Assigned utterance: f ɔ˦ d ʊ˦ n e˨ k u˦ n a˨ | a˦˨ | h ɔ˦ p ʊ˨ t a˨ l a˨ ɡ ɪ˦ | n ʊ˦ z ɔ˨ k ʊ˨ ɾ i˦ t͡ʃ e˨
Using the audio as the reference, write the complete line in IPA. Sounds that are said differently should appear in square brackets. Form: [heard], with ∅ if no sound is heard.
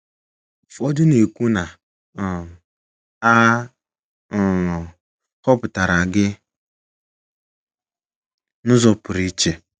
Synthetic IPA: f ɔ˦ d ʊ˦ n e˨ k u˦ n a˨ | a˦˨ | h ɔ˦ p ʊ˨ t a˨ [ɾ] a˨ ɡ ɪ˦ | n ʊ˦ z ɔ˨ [p] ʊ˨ ɾ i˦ t͡ʃ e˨

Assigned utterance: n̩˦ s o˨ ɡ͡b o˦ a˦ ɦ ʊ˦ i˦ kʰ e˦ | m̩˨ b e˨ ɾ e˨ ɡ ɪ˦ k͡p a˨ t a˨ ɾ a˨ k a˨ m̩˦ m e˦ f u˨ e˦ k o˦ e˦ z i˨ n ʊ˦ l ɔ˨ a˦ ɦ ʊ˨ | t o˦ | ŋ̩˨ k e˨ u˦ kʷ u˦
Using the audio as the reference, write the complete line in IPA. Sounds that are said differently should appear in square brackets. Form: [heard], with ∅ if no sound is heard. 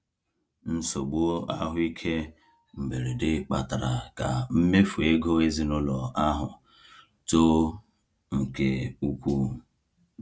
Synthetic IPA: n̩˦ s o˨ ɡ͡b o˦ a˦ ɦ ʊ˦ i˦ kʰ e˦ | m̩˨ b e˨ ɾ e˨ [d] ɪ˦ k͡p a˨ t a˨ ɾ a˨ k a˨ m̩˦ m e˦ f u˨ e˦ [ɡ] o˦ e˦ z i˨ n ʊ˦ l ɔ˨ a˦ ɦ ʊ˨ | t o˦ | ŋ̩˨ k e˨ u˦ kʷ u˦

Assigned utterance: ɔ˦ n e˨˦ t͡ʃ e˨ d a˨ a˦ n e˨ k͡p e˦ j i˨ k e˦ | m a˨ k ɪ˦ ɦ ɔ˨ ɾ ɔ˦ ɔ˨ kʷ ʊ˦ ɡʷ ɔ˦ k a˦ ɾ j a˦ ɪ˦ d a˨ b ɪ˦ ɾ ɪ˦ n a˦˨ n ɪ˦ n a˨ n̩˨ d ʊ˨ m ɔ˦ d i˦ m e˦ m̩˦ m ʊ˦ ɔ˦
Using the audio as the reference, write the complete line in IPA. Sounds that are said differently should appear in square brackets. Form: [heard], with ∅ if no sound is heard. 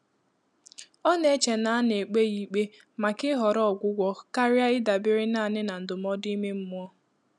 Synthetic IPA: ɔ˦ n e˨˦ t͡ʃ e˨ [n] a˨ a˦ n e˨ k͡p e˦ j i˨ [k͡p] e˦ | m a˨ k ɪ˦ ɦ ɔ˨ ɾ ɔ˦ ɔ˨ [ɡʷ] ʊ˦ ɡʷ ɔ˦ k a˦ ɾ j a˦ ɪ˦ d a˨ b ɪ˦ ɾ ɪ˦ n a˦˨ n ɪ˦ n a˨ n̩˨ d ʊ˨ m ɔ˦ d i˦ m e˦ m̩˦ m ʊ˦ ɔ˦

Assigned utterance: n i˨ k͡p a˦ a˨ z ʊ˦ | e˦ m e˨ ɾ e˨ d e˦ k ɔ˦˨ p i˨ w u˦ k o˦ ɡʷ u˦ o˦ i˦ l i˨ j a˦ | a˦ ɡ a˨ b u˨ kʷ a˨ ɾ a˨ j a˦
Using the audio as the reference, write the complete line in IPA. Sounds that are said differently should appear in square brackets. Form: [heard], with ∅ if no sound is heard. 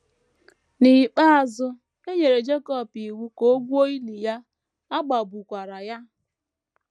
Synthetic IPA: n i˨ k͡p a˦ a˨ z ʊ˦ | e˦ [ɲ] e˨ ɾ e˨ [d͡ʒ] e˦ k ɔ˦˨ p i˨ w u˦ k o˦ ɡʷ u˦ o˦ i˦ l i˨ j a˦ | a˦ [ɡ͡b] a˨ b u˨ kʷ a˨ ɾ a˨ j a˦

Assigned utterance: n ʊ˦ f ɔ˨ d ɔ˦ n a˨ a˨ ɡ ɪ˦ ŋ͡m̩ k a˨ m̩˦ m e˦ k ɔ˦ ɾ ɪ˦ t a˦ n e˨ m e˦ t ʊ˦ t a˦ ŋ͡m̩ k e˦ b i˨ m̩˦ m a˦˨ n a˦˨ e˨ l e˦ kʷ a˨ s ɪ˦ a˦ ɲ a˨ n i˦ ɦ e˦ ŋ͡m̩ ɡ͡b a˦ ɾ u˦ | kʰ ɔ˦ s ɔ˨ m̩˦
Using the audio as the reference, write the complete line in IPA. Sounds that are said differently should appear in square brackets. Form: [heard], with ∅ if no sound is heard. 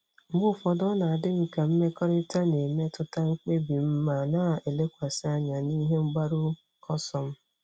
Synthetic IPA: [m] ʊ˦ f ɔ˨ d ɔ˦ n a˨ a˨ [d] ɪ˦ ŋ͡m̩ k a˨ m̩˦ m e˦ k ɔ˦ ɾ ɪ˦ t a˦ n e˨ m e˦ t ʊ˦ t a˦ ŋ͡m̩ [k͡p] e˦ b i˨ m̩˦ m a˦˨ n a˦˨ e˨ l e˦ kʷ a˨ s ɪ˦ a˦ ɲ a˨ n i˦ ɦ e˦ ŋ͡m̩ ɡ͡b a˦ ɾ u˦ | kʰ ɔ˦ s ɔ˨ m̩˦

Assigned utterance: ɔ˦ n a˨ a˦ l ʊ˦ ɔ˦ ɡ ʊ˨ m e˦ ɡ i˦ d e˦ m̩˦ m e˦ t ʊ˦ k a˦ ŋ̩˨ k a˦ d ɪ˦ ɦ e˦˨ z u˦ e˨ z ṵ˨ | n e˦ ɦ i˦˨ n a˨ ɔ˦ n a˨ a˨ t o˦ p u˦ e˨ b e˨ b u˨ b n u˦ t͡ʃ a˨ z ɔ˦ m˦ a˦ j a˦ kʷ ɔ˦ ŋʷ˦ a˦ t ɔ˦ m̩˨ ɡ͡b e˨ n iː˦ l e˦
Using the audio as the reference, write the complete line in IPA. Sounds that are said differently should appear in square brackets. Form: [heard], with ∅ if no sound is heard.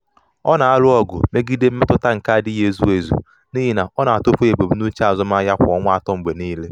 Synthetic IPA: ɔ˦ n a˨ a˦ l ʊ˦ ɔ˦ ɡ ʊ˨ m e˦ ɡ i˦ d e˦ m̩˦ m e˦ t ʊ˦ [t] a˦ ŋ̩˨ k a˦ d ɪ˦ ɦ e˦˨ z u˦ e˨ z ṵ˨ | n [i˦] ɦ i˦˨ n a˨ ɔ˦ n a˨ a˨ t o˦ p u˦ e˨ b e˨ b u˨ [∅] n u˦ t͡ʃ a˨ z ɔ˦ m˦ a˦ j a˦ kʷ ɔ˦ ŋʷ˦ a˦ t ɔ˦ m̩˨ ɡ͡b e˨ n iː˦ l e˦

